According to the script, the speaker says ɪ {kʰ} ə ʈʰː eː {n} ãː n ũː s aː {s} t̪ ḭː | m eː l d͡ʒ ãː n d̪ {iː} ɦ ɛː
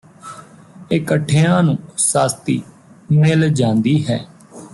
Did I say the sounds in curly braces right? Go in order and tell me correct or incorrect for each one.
incorrect, incorrect, correct, correct

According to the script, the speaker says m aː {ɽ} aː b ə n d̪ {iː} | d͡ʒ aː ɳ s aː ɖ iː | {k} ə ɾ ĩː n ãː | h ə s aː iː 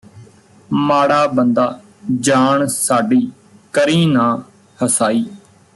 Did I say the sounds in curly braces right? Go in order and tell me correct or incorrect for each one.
correct, incorrect, correct

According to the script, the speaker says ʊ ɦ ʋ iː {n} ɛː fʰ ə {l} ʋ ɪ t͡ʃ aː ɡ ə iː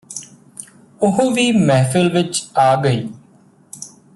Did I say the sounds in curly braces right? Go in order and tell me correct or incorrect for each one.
incorrect, correct

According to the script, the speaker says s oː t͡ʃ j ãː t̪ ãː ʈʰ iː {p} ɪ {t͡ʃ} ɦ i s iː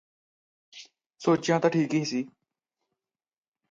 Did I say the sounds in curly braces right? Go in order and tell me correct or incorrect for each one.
incorrect, incorrect

